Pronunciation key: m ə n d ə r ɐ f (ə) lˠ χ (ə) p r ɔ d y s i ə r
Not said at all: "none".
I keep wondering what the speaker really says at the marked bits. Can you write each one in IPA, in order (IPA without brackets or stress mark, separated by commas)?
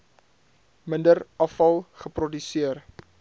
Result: ɐ, ə